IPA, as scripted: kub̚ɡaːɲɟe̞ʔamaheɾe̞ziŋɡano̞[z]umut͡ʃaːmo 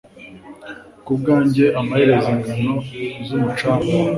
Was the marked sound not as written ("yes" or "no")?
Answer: no